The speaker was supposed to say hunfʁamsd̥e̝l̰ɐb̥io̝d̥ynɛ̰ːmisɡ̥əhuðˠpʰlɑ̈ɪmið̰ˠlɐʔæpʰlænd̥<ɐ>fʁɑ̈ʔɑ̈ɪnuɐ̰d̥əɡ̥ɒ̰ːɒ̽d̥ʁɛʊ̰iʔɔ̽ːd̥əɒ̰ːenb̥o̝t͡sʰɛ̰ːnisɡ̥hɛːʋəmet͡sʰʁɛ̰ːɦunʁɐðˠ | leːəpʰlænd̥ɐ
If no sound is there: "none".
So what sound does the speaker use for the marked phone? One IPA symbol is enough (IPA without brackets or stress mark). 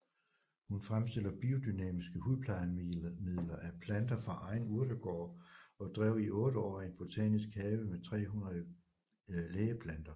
ɐ